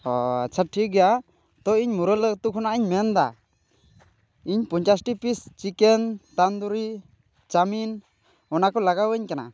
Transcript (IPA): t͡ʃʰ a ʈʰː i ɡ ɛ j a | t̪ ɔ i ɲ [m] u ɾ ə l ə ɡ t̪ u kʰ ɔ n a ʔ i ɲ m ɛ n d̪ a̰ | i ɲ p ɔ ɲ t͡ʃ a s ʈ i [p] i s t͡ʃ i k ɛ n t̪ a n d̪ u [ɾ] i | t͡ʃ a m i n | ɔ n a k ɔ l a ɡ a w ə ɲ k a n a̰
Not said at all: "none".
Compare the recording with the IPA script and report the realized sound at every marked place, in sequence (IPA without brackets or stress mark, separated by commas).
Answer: m, p, ɾ